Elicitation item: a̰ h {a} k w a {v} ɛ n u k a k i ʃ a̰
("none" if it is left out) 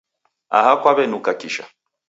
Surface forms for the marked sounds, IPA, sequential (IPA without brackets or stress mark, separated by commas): a, β